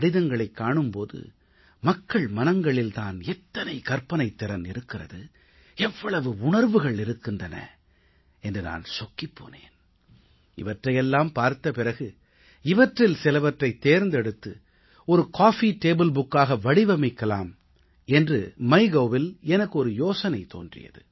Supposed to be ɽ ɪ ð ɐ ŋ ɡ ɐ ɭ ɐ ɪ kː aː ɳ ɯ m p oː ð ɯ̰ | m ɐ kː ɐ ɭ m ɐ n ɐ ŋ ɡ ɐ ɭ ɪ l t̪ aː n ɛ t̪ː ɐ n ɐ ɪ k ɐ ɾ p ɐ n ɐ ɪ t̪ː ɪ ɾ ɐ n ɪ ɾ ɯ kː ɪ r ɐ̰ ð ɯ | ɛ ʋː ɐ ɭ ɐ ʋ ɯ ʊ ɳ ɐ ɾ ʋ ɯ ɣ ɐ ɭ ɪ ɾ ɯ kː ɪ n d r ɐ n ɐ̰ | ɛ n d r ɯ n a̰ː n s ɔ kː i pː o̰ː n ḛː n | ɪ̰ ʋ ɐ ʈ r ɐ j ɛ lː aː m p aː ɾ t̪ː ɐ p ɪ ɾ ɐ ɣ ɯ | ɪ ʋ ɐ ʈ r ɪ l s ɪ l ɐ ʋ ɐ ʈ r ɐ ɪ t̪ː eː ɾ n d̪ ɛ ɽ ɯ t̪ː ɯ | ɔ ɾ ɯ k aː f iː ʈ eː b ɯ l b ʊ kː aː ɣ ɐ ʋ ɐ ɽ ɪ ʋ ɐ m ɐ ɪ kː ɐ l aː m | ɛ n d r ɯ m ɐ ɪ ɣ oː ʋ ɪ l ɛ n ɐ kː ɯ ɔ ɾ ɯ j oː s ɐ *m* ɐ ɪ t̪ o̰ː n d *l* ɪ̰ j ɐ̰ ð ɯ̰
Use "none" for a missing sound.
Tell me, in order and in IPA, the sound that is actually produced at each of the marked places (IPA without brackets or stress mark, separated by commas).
n, r